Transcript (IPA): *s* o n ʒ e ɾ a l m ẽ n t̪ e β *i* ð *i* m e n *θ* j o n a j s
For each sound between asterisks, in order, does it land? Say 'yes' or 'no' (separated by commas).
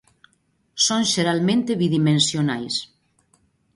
yes, yes, yes, no